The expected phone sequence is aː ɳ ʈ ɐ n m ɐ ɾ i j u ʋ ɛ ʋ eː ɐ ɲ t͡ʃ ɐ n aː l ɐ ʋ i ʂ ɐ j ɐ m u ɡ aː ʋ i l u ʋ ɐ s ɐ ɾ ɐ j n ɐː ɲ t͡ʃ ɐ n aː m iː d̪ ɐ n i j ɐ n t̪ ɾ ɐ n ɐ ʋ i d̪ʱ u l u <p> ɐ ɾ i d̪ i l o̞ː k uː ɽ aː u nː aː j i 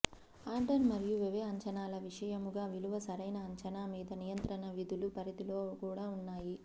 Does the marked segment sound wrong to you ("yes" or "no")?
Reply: no